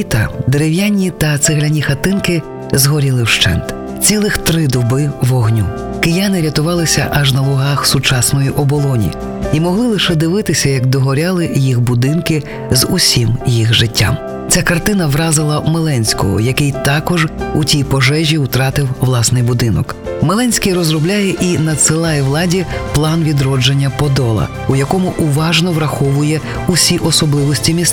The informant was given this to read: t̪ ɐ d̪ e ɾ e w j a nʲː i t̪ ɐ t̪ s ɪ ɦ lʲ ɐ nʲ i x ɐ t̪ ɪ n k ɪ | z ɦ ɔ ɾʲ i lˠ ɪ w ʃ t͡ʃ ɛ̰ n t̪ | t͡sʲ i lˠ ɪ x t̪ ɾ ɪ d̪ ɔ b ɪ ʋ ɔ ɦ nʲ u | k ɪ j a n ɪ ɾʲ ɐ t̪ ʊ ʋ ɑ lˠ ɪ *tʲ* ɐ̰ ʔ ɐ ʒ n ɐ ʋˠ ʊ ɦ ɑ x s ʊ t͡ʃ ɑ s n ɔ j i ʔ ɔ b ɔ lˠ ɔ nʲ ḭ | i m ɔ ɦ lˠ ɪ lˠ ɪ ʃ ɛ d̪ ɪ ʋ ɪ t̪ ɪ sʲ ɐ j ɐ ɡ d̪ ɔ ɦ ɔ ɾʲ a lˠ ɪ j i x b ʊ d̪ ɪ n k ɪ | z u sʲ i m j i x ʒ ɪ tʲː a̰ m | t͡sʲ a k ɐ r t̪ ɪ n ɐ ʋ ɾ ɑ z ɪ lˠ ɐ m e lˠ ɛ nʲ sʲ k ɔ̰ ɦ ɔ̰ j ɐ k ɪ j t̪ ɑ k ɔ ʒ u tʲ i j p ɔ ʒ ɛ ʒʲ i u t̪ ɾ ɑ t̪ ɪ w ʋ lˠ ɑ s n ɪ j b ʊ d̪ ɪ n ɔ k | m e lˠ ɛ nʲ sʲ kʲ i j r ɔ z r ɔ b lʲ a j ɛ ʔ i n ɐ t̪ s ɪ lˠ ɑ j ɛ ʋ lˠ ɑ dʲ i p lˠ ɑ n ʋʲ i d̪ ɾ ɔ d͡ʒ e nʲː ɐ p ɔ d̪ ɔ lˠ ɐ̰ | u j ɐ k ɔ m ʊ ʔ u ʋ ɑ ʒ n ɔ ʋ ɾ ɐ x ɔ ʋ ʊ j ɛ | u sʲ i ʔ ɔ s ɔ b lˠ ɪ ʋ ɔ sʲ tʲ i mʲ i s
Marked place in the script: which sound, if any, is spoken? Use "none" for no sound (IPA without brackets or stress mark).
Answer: sʲ